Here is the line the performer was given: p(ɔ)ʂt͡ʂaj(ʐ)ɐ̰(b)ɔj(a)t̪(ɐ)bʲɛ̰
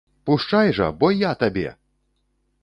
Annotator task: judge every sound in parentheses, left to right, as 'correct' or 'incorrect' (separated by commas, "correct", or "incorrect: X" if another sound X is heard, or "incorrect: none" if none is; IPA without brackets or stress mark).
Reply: incorrect: u, correct, correct, correct, incorrect: a